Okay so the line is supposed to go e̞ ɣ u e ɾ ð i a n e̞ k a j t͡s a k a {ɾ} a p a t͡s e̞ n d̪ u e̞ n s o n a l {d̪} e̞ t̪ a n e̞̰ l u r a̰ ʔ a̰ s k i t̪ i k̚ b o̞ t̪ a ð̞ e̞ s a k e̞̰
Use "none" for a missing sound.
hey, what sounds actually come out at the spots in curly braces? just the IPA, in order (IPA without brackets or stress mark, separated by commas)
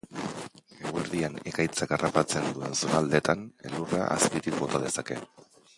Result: r, d̪